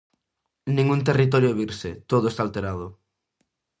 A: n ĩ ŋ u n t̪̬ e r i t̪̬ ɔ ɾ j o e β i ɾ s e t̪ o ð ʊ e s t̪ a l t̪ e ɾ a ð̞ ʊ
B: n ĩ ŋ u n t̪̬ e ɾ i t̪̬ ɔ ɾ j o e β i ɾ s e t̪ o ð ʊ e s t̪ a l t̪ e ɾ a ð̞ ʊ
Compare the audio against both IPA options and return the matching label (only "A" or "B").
A